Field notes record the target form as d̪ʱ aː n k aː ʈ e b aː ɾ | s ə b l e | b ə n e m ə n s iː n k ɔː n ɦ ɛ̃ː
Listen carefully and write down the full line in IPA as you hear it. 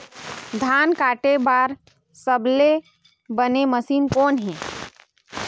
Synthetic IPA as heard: d̪ʱ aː n k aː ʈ e b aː ɾ | s ə b l e | b ə n e m ə s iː n k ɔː n ɦ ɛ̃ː